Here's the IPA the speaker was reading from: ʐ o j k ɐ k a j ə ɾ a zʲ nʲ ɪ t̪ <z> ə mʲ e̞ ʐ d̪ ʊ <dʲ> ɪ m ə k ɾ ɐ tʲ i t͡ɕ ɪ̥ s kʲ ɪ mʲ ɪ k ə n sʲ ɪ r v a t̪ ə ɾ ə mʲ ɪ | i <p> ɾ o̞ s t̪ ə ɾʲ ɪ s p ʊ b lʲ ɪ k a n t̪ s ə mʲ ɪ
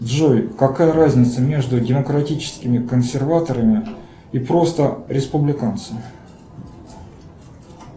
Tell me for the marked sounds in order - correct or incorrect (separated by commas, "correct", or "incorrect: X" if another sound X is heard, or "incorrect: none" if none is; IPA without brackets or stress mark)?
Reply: incorrect: s, correct, correct